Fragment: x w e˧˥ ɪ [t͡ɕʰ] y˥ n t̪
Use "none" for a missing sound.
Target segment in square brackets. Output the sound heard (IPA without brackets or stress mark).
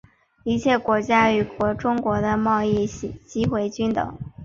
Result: t͡ɕ